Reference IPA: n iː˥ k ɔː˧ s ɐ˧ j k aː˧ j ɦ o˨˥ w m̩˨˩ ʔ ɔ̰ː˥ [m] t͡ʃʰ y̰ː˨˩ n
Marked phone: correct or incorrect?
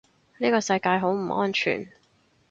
incorrect